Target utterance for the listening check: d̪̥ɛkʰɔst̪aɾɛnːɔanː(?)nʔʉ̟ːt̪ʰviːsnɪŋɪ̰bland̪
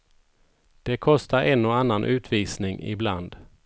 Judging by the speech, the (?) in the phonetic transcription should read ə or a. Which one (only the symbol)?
a